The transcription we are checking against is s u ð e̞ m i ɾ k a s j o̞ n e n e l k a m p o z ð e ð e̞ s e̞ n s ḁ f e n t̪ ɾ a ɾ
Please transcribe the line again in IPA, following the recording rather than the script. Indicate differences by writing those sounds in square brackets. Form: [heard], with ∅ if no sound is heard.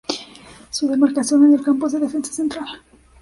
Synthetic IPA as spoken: s u ð e̞ m [a] ɾ k a s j o̞ n e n e l k a m p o z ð e ð e̞ [f] e̞ n s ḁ [s] e n t̪ ɾ a [l]